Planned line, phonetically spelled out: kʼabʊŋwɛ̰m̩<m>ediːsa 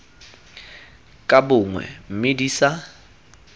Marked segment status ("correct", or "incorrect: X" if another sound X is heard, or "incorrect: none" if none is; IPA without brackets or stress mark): correct